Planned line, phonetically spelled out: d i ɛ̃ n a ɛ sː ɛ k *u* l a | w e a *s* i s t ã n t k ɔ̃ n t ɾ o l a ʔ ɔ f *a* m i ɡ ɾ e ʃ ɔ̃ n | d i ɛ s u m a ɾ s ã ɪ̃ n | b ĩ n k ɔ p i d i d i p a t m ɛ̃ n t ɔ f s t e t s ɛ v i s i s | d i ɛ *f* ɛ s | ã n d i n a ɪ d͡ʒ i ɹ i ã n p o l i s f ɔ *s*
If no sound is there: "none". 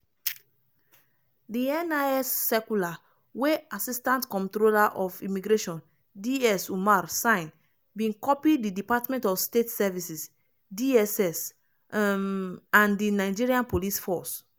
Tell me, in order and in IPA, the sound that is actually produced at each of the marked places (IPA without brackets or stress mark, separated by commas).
u, s, i, s, s